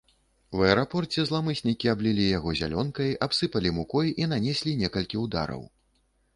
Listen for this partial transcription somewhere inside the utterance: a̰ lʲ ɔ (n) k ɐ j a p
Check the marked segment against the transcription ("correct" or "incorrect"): correct